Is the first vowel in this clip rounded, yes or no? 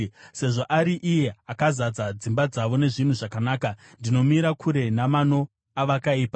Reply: no